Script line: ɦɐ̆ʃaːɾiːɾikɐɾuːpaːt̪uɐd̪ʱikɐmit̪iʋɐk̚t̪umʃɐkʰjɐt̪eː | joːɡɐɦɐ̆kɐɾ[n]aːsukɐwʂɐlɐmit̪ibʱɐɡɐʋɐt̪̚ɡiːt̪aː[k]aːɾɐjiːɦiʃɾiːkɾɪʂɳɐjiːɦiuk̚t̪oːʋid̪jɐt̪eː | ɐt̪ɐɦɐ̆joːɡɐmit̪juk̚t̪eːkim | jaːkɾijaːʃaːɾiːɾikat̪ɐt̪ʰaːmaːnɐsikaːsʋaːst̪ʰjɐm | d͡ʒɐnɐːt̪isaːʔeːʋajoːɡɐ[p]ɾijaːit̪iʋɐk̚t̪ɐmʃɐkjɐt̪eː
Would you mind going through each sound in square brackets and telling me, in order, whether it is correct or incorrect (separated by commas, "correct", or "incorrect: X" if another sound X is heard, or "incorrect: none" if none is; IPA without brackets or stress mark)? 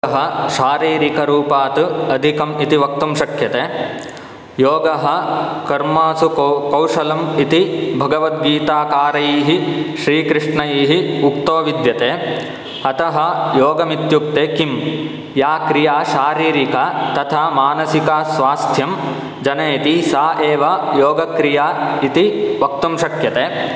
incorrect: m, correct, incorrect: k